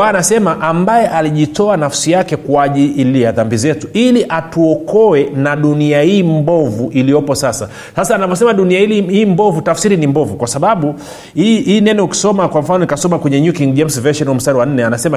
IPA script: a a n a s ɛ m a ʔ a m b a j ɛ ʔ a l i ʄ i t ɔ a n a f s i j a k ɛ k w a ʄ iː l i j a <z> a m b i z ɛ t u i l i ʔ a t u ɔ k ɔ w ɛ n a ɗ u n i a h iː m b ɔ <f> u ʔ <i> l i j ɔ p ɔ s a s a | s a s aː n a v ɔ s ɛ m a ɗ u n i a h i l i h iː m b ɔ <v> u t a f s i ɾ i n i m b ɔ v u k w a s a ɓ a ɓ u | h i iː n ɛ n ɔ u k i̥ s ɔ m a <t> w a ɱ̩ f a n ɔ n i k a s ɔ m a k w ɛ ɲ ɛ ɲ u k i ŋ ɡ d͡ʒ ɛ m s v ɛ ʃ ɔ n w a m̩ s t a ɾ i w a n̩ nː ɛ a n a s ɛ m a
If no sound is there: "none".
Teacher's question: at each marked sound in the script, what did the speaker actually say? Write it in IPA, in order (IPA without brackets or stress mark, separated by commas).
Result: ð, v, i, v, k